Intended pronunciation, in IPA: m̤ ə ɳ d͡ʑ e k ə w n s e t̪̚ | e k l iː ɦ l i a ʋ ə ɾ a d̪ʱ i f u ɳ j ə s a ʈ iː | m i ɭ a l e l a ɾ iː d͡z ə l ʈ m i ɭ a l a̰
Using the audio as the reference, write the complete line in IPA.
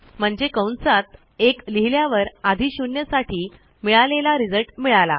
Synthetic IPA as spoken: m̤ ə ɳ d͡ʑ e k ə w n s a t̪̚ | e k l i ɦ l j a ʋ ə ɾ a d̪ʱ i ɕ u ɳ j ə s a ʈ iː | m i ɭ a l e l a ɾ i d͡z ə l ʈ m i ɭ a l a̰